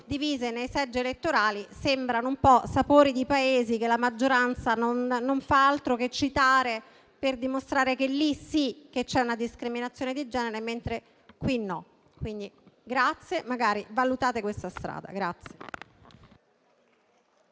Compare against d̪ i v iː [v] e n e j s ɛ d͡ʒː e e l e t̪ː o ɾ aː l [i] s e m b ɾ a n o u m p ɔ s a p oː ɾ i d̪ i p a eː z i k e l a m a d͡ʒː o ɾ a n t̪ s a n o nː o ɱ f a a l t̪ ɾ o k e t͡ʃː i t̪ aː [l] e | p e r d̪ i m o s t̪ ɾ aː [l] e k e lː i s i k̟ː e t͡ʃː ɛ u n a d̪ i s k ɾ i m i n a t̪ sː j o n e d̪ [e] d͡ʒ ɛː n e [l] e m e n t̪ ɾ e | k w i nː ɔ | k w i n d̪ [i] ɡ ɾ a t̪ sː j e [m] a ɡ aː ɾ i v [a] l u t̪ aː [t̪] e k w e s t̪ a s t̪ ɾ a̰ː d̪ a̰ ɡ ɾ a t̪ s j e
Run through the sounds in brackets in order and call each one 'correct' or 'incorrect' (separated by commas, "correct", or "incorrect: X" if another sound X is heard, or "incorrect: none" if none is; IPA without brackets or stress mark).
incorrect: z, correct, incorrect: ɾ, incorrect: ɾ, incorrect: i, incorrect: ɾ, correct, correct, correct, correct